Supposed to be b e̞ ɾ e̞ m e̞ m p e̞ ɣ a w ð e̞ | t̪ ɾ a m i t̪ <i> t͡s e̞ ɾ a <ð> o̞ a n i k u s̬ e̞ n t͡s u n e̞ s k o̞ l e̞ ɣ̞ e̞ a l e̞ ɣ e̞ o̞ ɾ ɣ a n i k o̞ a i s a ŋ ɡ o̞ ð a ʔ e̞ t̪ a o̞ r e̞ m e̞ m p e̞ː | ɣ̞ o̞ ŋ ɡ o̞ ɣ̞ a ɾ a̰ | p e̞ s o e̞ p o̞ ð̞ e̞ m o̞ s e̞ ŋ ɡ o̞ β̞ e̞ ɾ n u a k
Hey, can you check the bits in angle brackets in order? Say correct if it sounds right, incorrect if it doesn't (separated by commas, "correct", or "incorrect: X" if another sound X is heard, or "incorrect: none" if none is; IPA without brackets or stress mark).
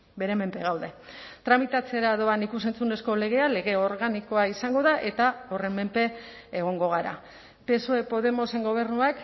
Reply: incorrect: a, correct